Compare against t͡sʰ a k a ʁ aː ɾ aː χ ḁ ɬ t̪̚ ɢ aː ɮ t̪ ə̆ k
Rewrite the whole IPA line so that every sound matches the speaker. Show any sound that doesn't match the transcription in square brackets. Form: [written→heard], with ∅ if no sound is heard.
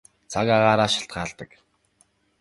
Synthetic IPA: t͡sʰ a k a ʁ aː ɾ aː [χ→ʃ] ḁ ɬ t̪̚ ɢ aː ɮ t̪ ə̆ k

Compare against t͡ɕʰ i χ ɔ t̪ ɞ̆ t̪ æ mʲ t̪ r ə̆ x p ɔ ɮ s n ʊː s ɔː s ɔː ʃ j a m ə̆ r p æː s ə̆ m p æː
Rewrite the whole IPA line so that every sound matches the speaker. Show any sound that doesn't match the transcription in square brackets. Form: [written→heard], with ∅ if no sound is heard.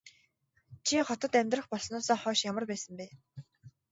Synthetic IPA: t͡ɕʰ i χ ɔ t̪ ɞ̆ t̪ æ mʲ t̪ r ə̆ [x→χ] p ɔ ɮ s n ʊː s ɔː [s→χ] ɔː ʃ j a m ə̆ r p æː s ə̆ m p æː

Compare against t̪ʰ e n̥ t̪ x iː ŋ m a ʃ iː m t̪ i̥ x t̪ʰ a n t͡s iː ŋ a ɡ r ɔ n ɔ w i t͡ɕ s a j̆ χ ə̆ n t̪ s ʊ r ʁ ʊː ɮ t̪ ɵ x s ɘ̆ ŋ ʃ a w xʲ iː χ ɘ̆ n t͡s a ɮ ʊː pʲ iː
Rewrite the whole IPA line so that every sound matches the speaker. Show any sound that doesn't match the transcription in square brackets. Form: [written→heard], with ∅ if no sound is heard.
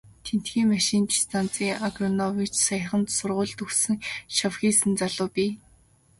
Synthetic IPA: t̪ʰ e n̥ t̪ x iː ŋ m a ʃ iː [m→n] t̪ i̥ [x→s] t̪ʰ a n t͡s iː ŋ a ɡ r ɔ n ɔ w i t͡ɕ s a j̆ χ ə̆ n t̪ s ʊ r ʁ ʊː ɮ t̪ ɵ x s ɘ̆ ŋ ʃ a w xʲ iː [χ→s] ɘ̆ n t͡s a ɮ ʊː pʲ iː

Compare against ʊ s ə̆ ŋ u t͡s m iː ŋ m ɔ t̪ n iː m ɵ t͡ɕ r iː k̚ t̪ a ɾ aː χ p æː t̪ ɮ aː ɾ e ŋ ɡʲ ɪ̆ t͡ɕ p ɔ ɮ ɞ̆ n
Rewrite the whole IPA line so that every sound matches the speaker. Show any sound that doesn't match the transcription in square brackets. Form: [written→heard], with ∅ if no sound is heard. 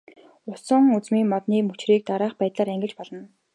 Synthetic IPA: ʊ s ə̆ ŋ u t͡s m iː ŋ m ɔ t̪ n iː m ɵ t͡ɕ r iː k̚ t̪ a ɾ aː χ p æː t̪ ɮ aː ɾ [e→æ] ŋ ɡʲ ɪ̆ t͡ɕ p ɔ ɮ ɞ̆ n

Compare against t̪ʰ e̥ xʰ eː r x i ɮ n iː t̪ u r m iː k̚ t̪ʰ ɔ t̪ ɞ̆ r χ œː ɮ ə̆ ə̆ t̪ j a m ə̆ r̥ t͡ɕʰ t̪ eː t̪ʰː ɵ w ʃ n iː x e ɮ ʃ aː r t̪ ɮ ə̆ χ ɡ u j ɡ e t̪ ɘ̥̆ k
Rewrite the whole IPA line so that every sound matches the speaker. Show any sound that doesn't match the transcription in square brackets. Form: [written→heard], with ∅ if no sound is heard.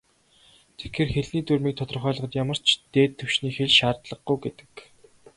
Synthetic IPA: t̪ʰ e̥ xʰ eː r x [i→e] ɮ n iː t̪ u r m iː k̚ t̪ʰ ɔ t̪ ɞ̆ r χ œː ɮ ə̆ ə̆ t̪ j a m ə̆ r̥ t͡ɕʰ t̪ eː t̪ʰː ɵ w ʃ n iː x e ɮ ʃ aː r t̪ ɮ ə̆ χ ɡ u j ɡ e t̪ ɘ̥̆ k

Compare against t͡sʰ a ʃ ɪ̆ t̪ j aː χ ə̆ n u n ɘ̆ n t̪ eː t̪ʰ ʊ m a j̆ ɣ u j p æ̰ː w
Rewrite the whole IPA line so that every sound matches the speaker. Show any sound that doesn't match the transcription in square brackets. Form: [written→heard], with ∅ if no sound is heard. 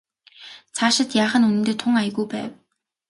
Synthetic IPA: t͡sʰ a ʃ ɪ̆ t̪ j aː χ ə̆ n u n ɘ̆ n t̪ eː t̪ʰ ʊ [m→ŋ] a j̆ ɣ u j p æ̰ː w

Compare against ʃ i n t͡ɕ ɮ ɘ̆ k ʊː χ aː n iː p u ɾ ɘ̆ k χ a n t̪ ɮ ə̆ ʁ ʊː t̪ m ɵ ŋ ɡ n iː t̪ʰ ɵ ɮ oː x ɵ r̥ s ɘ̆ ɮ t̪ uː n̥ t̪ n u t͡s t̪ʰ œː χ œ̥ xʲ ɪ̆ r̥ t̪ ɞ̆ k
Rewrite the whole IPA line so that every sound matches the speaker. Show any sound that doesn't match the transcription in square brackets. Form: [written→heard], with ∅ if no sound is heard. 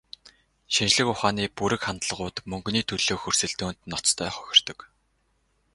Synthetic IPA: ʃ i n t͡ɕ ɮ ɘ̆ k [ʊː→ʊ] χ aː n iː p u ɾ ɘ̆ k χ a n t̪ ɮ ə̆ ʁ ʊː t̪ m ɵ ŋ ɡ n iː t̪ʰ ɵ ɮ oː x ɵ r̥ s ɘ̆ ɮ t̪ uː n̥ t̪ n [u→ɔ] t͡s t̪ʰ œː χ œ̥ xʲ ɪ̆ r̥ t̪ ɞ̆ k

